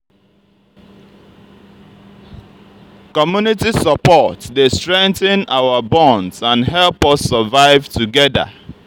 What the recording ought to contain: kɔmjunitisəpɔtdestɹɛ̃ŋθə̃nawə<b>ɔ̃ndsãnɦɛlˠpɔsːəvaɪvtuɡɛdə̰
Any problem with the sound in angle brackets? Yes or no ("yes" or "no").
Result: no